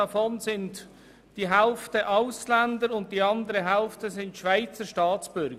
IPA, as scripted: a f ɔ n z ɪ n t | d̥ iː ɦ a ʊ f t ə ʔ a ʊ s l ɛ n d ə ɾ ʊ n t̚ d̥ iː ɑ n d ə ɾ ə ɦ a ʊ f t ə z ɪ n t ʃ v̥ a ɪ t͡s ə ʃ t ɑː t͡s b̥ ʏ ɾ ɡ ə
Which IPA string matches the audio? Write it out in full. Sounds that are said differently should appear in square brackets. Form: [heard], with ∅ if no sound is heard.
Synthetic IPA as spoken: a f ɔ n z ɪ n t | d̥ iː ɦ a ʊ f t ə ʔ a ʊ s l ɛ n d ə ɾ ʊ n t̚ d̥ iː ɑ n d ə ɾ ə ɦ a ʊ f t ə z ɪ n t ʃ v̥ a ɪ t͡s ə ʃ t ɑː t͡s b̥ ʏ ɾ ɡ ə